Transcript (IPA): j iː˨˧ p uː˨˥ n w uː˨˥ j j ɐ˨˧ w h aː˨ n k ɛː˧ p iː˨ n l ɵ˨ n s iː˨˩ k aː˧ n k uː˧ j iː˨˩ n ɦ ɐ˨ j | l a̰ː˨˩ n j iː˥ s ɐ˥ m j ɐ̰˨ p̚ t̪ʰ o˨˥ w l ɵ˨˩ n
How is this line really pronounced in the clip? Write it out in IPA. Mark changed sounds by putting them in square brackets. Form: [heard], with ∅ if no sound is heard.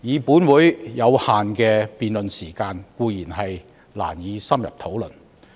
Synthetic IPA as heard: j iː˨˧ p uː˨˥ n w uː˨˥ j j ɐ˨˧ w h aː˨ n k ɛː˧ p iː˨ n l ɵ˨ n s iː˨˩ k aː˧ n k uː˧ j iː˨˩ n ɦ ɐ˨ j | l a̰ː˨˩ n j [iː˨˧] s ɐ˥ m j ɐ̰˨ p̚ t̪ʰ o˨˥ w l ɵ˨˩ n